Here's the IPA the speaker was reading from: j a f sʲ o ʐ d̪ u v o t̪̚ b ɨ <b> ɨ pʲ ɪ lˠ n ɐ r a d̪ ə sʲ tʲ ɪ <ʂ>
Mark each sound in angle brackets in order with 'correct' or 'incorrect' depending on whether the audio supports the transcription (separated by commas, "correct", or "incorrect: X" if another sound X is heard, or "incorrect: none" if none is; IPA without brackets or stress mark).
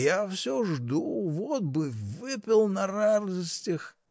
incorrect: v, incorrect: x